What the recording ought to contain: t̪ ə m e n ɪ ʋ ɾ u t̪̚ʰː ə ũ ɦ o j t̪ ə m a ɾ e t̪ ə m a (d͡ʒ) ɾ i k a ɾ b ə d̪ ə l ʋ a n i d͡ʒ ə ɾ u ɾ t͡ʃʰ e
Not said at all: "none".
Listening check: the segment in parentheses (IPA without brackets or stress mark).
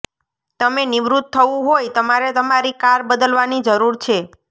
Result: none